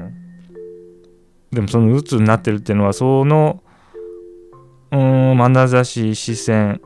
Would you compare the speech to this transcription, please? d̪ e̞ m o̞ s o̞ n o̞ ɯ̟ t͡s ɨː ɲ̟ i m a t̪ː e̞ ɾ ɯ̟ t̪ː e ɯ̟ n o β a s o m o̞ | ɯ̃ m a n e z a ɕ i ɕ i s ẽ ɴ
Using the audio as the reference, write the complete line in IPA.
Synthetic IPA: d̪ e̞ m o̞ s o̞ n o̞ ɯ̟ t͡s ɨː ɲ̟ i n a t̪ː e̞ ɾ ɯ̟ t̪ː e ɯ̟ n o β a s o n o̞ | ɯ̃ m a n a z a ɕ i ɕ i s ẽ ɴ